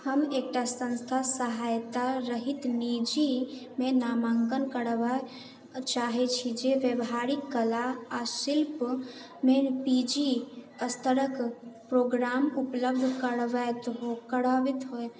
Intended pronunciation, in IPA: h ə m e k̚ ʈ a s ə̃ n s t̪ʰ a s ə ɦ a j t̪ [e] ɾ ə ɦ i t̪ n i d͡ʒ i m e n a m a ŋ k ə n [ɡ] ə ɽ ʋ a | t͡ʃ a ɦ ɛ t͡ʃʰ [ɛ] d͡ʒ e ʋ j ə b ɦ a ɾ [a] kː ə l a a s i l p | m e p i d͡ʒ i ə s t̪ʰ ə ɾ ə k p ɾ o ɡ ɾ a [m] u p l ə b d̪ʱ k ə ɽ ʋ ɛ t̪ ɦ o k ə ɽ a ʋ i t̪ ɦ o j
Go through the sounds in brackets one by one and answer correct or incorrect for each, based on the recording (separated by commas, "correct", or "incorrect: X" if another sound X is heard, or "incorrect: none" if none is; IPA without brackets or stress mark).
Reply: incorrect: a, incorrect: k, incorrect: i, incorrect: i, correct